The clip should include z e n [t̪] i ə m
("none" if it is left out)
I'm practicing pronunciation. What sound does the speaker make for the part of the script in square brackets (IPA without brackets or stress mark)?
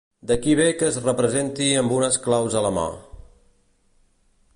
t̪